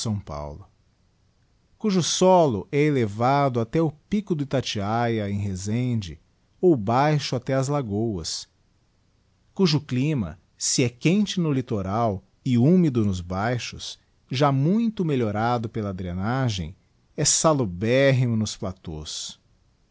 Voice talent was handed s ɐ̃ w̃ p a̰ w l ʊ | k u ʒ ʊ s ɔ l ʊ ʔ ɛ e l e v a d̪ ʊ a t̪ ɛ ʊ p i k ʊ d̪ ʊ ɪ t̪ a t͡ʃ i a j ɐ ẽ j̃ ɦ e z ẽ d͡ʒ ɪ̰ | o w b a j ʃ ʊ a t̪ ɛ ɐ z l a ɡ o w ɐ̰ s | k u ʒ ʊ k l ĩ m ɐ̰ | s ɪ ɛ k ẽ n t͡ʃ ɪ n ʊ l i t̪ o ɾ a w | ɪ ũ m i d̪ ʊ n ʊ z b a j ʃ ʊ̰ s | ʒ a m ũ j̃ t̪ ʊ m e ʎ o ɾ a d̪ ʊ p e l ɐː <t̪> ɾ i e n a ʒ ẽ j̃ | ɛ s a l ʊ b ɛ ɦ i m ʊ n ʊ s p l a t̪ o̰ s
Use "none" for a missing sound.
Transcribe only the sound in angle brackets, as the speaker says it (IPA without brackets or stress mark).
d̪